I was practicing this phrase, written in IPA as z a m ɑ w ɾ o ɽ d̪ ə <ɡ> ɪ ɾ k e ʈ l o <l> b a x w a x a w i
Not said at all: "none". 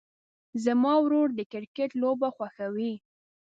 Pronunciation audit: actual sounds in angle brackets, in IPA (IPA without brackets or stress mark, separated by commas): k, none